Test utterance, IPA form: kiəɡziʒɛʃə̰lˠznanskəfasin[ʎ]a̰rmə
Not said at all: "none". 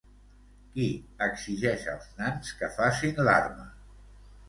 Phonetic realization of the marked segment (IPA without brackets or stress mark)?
l